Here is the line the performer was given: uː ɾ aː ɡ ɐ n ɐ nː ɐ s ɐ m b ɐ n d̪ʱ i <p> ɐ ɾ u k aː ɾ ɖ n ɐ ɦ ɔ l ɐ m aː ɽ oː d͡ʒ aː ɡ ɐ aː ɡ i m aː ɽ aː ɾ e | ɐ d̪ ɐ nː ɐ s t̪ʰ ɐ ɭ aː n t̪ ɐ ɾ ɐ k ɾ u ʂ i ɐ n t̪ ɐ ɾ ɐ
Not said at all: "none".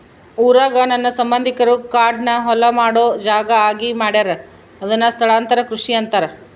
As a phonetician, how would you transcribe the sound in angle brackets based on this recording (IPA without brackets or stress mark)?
k